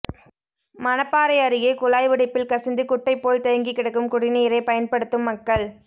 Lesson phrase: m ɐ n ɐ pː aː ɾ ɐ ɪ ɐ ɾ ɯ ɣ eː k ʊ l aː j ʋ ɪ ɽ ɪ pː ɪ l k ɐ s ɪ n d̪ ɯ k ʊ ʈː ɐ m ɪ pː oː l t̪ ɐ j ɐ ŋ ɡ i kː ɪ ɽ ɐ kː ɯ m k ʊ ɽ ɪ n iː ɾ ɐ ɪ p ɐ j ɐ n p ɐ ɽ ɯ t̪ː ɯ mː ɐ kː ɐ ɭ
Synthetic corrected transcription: m ɐ n ɐ pː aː ɾ ɐ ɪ ɐ ɾ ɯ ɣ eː k ʊ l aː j ʋ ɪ ɽ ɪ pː ɪ l k ɐ s ɪ n d̪ ɯ k ʊ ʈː ɐ ɪ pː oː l t̪ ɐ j ɐ ŋ ɡ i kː ɪ ɽ ɐ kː ɯ m k ʊ ɽ ɪ n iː ɾ ɐ ɪ p ɐ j ɐ n p ɐ ɽ ɯ t̪ː ɯ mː ɐ kː ɐ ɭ